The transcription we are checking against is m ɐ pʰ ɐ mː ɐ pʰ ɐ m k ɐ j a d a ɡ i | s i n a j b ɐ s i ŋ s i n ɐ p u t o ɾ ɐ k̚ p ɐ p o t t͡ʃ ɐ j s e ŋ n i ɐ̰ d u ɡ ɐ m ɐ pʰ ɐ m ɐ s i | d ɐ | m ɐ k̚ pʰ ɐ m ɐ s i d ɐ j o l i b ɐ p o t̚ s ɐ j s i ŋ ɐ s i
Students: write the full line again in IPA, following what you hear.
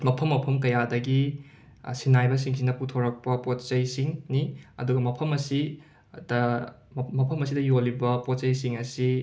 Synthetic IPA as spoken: m ɐ pʰ ɐ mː ɐ pʰ ɐ m k ɐ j a d ɐ ɡ i | s i n a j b ɐ s i ŋ s i n ɐ p u tʰ o ɾ ɐ k̚ p ɐ p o t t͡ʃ ɐ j s i ŋ n i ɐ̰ d u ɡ ɐ m ɐ pʰ ɐ m ɐ s i | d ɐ | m ɐ pʰ ɐ m ɐ s i d ɐ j o l i b ɐ p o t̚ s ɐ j s i ŋ ɐ s i